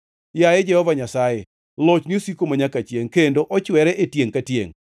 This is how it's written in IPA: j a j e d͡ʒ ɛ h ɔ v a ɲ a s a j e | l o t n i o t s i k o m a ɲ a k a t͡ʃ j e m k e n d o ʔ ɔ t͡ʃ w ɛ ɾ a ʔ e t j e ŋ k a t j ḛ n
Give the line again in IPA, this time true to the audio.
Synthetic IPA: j a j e d͡ʒ ɛ h ɔ v a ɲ a s a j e | l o t͡ʃ n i o s i k o m a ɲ a k a t͡ʃ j e ŋ k e n d o ʔ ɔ t͡ʃ w ɛ ɾ ɛ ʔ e t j e ŋ k a t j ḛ ŋ